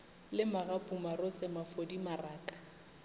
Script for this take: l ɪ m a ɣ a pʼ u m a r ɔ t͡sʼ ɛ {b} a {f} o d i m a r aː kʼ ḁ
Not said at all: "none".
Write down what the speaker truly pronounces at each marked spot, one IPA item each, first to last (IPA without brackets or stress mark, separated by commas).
m, f